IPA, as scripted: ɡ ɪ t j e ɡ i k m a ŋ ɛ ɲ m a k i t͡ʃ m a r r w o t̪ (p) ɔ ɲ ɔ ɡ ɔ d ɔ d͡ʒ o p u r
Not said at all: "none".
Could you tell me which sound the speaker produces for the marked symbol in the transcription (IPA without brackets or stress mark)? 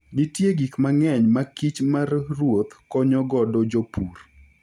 k